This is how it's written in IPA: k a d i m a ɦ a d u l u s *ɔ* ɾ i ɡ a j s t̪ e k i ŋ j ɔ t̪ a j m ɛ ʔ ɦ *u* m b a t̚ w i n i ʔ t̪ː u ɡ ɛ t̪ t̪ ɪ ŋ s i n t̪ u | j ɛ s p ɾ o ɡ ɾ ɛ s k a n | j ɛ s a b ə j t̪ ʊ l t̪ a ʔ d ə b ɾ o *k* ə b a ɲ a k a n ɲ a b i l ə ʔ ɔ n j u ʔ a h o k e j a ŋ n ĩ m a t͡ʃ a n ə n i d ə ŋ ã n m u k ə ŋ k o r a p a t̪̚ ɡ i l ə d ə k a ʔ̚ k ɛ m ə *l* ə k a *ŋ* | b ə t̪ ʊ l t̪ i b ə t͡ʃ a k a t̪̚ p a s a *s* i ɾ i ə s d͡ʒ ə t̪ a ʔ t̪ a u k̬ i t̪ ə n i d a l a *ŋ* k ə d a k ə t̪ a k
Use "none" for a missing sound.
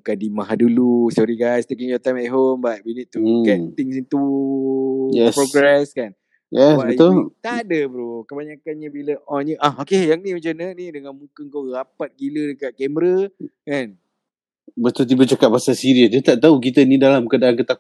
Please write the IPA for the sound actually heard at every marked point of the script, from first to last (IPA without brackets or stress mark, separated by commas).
ɔ, o, k, ɾ, n, s, m